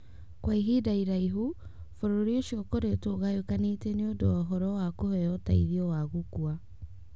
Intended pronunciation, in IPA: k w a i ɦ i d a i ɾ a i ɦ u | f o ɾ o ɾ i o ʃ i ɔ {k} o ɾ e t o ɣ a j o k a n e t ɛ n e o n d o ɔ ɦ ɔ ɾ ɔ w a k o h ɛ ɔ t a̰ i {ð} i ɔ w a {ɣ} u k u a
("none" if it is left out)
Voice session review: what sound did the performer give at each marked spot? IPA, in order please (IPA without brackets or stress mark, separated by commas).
k, ð, ɣ